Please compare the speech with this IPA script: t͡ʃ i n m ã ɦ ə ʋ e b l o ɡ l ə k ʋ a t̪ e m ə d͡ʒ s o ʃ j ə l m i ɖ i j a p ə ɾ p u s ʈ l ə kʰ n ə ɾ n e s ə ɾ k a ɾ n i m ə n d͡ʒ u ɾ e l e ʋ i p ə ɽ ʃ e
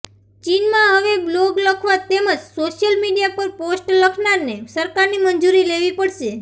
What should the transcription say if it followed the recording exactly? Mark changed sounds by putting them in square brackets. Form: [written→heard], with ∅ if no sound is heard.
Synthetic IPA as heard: t͡ʃ i n m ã ɦ ə ʋ e b l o ɡ l ə [k→kʰ] ʋ a t̪ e m ə d͡ʒ s o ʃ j ə l m i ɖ i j a p ə ɾ p [u→o] s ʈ l ə kʰ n [ə→a] ɾ n e s ə ɾ k a ɾ n i m ə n d͡ʒ u ɾ [e→i] l e ʋ i p ə ɽ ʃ e